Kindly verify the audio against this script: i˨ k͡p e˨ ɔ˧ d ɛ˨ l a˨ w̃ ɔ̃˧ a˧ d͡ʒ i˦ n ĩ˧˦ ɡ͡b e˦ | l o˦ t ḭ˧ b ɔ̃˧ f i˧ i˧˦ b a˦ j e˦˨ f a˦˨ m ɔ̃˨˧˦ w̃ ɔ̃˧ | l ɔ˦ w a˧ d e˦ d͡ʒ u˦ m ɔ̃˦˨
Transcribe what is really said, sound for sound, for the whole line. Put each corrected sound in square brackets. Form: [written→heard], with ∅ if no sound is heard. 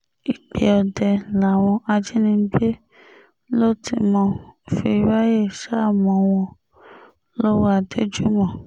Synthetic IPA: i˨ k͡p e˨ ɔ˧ d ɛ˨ l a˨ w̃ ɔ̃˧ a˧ d͡ʒ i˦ n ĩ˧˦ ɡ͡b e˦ | l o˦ t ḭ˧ [b→m] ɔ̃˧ f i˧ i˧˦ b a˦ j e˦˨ [f→ʃ] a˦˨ m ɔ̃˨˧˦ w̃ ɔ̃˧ | l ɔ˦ w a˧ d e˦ d͡ʒ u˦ m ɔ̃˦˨